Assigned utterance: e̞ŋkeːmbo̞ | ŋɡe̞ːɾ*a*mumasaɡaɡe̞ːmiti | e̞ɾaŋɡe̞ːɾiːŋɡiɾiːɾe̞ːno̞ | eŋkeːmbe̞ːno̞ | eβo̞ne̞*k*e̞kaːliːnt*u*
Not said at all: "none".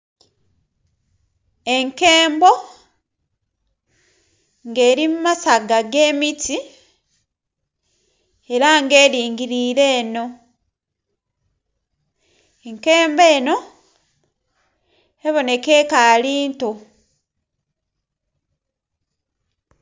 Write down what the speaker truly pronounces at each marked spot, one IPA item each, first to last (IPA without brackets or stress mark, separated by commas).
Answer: i, k, o